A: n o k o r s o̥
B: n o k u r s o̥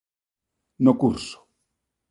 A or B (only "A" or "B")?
B